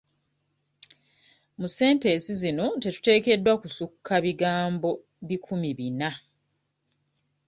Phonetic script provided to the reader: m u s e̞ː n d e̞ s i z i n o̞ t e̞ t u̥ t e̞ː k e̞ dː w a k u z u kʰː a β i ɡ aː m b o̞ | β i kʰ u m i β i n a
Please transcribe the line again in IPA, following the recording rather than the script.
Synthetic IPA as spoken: m u s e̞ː n t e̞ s i z i n o̞ t e̞ t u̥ t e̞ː k e̞ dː w a k u s u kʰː a β i ɡ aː m b o̞ | β i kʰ u m i β i n a